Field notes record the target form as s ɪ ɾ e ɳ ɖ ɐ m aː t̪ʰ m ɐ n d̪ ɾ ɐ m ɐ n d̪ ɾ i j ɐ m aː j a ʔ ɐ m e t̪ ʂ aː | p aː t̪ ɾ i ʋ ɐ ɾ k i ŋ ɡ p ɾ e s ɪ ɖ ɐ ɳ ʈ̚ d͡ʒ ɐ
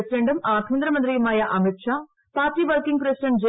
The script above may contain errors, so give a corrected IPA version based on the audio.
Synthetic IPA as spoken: s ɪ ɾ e ɳ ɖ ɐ m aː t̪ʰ m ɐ n d̪ ɾ ɐ m ɐ n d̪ ɾ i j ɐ m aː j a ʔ ɐ m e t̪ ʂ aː | p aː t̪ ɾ i ʋ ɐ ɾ k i ŋ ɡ p ɾ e s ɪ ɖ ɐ ɳ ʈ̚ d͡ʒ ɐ